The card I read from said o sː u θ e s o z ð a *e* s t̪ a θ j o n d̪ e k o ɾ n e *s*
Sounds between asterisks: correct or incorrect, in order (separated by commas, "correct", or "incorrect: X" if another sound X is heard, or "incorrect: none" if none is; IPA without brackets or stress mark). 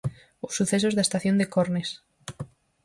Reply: correct, correct